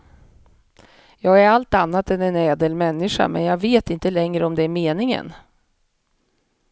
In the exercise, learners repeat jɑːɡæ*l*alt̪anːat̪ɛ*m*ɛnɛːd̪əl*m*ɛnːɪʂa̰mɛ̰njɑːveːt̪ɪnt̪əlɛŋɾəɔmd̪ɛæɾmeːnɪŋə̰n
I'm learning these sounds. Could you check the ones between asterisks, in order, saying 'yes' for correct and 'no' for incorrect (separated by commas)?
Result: no, no, yes